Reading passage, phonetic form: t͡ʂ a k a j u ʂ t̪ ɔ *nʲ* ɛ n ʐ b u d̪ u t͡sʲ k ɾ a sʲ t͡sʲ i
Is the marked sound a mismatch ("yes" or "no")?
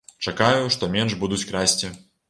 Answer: yes